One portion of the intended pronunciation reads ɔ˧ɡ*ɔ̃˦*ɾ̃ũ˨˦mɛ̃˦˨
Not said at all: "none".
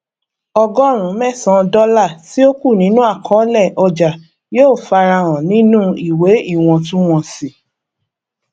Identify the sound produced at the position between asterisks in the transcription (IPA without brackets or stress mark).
ɔ˦